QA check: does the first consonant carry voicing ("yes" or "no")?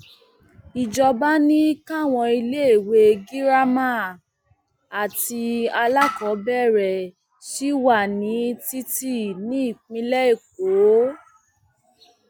yes